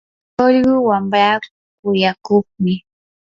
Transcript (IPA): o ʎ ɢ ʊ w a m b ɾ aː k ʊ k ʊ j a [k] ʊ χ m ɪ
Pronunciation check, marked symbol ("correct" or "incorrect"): correct